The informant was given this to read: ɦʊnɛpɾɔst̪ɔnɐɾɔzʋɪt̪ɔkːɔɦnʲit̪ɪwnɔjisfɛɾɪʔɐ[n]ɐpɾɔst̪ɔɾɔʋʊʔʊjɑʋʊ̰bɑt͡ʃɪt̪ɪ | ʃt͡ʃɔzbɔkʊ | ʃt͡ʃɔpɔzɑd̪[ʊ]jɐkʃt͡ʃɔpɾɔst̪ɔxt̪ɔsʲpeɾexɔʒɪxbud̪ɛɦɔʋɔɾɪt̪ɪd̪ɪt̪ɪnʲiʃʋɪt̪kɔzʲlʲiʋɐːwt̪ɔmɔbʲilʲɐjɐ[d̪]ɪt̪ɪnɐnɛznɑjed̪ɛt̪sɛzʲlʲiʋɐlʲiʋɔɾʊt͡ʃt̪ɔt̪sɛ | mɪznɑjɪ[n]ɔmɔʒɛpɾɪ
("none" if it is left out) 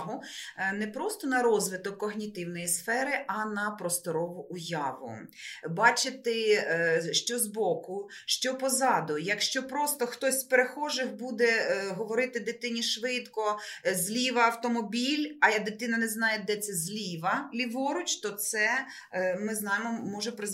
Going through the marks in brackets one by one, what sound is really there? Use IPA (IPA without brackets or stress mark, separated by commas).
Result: n, ʊ, d̪, m